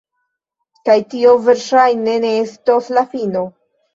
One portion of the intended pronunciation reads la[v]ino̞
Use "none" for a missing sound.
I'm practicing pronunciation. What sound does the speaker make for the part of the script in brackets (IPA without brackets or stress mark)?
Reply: f